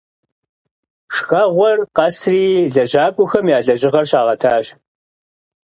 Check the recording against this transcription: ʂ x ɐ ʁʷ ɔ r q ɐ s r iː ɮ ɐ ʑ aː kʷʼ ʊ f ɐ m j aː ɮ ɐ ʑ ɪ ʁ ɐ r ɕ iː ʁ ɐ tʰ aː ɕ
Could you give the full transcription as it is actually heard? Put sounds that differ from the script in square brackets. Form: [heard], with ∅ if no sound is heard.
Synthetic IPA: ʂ x ɐ ʁʷ ɔ r q ɐ s r iː ɮ ɐ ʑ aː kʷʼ ʊ [x] ɐ m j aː ɮ ɐ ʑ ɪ ʁ ɐ r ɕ [aː] ʁ ɐ tʰ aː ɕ